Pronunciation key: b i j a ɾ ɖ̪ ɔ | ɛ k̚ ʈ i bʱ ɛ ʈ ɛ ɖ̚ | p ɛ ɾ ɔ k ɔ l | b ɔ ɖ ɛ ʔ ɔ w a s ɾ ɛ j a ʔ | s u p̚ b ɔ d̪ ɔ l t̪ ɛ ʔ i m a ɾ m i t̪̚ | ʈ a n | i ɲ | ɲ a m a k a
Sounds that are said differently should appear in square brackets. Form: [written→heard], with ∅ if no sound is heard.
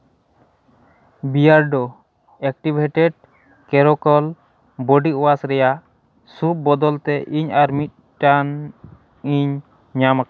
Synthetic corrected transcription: b i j a ɾ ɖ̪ ɔ | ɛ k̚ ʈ i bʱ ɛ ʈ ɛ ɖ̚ | [p→k] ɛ ɾ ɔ k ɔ l | b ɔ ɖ [ɛ→i] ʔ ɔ w a s ɾ ɛ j a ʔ | s u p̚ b ɔ d̪ ɔ l t̪ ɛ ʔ i [m→ɲ] a ɾ m i t̪̚ | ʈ a n | i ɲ | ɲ a m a k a